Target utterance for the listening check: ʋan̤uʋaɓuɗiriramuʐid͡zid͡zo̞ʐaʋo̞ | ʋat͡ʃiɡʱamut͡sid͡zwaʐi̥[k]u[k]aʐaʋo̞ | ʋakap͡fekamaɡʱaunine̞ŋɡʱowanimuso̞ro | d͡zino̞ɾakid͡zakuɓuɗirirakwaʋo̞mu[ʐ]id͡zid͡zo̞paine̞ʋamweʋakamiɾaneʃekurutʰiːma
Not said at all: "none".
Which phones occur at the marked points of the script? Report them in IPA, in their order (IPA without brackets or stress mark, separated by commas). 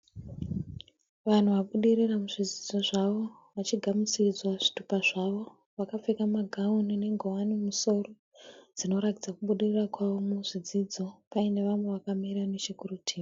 t, p, ʐ